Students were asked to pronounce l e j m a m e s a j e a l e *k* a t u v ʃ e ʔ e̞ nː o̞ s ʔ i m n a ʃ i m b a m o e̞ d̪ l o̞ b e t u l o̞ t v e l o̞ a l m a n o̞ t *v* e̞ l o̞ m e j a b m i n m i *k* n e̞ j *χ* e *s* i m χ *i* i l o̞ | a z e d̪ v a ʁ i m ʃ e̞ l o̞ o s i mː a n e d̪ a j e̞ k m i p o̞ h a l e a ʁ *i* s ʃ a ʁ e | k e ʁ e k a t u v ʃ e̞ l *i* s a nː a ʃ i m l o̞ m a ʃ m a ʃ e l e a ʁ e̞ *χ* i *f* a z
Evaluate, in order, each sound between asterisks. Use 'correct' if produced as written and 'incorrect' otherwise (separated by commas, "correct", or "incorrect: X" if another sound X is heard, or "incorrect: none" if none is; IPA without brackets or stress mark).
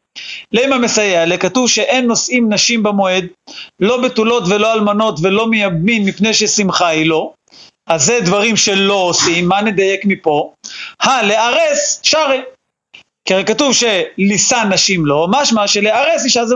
correct, correct, incorrect: p, incorrect: ʃ, correct, incorrect: a, incorrect: e, correct, incorrect: s, incorrect: ʃ